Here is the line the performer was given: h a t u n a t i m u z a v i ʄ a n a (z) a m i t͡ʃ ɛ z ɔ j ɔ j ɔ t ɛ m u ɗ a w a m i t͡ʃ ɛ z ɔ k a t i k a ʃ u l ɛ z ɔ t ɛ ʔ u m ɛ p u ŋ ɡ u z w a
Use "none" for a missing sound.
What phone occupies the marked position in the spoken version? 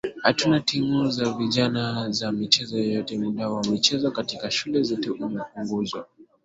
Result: z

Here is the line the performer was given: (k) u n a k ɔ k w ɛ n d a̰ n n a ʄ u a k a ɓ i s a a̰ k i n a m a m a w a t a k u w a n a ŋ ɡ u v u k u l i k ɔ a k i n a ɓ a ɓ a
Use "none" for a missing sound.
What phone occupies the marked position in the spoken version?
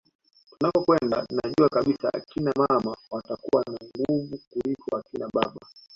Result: t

